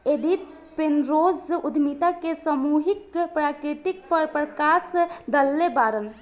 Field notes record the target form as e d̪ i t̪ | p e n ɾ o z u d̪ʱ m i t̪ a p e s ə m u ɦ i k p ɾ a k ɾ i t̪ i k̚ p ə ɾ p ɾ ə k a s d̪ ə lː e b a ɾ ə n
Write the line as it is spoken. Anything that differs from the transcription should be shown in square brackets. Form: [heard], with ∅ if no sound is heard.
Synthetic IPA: e d̪ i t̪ | p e n ɾ o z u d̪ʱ m i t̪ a [k] e s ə m u ɦ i k p ɾ a k ɾ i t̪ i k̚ p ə ɾ p ɾ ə k a s d̪ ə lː e b a ɾ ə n